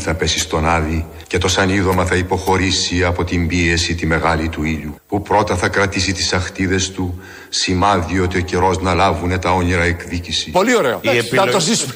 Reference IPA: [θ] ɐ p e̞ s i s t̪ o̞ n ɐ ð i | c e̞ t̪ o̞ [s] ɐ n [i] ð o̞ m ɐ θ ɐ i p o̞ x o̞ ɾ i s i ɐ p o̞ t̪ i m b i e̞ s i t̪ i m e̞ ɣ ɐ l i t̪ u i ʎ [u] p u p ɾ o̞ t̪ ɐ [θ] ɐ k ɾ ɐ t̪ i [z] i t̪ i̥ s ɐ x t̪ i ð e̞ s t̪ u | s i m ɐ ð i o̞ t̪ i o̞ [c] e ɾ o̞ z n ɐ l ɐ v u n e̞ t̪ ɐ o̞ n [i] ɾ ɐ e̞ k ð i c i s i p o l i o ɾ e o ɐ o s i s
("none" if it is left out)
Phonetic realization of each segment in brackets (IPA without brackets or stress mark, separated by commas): θ, s, i, u, θ, s, c, i